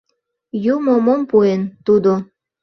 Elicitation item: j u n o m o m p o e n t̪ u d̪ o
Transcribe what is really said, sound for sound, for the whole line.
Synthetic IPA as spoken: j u m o m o m p u e n t̪ u d̪ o